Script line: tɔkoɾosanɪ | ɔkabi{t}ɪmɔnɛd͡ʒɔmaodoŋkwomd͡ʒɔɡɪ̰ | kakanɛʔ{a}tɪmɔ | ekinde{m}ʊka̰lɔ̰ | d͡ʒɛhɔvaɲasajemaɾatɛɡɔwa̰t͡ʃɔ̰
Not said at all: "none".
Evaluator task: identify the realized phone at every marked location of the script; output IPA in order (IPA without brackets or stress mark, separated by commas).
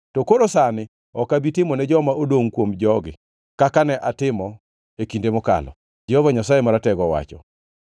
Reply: t, a, m